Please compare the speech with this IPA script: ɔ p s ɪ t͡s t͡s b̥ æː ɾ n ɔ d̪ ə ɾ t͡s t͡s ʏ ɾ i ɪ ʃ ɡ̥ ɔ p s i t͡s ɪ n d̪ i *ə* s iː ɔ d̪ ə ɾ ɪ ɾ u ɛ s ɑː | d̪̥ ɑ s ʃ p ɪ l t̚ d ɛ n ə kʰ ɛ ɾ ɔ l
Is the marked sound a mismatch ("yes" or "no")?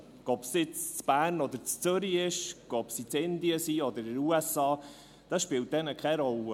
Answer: no